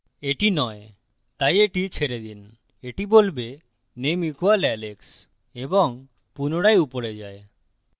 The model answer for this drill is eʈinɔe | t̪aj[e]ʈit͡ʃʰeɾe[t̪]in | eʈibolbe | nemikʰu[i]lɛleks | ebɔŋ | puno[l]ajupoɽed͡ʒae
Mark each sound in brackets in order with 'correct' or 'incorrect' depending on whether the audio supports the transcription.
correct, incorrect, incorrect, incorrect

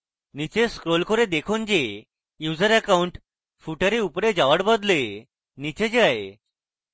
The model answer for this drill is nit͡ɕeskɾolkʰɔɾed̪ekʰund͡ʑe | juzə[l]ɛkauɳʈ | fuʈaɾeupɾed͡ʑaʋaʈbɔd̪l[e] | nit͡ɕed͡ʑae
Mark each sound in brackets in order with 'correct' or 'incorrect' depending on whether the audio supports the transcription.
incorrect, correct

